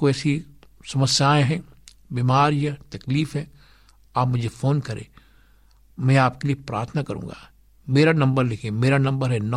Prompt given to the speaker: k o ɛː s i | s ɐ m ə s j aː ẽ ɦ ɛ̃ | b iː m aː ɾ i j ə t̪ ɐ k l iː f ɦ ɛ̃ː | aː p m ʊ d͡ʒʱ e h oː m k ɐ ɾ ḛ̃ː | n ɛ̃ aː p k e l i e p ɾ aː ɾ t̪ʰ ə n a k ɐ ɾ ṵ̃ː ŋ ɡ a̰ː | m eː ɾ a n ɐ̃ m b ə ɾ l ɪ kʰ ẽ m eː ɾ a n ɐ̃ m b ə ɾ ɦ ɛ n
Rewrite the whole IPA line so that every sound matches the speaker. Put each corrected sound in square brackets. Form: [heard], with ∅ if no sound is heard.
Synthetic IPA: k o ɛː s i | s ɐ m ə s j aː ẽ ɦ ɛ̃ | b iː m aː ɾ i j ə t̪ ɐ k l iː f ɦ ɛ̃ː | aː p m ʊ d͡ʒʱ e [f] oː [n] k ɐ ɾ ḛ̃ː | [m] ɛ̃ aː p k e l i e p ɾ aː ɾ t̪ʰ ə n a k ɐ ɾ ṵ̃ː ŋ ɡ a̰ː | m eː ɾ a n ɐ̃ m b ə ɾ l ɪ kʰ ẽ m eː ɾ a n ɐ̃ m b ə ɾ ɦ ɛ n